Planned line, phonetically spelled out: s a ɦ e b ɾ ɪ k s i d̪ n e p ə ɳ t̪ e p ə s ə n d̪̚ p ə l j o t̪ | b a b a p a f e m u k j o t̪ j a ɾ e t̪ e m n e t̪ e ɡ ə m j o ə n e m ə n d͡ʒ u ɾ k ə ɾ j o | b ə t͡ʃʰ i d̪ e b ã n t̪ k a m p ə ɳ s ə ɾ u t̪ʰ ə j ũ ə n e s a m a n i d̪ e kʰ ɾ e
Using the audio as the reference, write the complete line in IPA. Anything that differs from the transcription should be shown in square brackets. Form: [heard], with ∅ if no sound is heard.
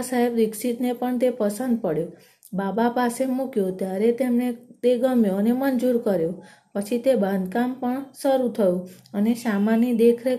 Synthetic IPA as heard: s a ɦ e b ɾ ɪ k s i [t̪] n e p ə ɳ t̪ e p ə s ə n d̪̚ p ə [ɽ] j o [∅] | b a b a p a [s] e m u k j o t̪ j a ɾ e t̪ e m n e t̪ e ɡ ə m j o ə n e m ə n d͡ʒ u ɾ k ə ɾ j o | [p] ə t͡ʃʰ i [t̪] e b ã n [d̪] k a m p ə ɳ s ə ɾ u t̪ʰ ə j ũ ə n e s a m a n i d̪ e kʰ ɾ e